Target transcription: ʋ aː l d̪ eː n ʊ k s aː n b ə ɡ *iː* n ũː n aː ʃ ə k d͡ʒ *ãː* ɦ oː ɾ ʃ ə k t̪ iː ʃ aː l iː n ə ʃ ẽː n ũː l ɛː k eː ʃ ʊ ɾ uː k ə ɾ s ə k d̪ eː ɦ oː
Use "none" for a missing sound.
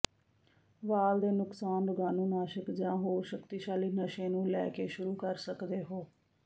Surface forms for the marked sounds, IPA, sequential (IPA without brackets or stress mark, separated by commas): aː, ãː